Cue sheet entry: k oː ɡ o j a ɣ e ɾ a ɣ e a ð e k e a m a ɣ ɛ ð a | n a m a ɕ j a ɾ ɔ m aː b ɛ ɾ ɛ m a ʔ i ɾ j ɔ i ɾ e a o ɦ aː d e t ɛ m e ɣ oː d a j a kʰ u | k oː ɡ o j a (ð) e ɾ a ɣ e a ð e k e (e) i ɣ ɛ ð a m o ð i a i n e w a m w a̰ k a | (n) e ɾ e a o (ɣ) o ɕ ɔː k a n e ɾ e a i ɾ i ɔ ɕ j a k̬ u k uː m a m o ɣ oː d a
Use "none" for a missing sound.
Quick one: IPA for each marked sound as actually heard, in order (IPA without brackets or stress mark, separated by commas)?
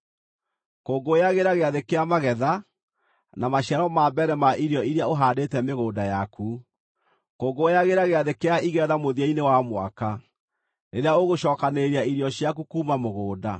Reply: ɣ, a, n, ɣ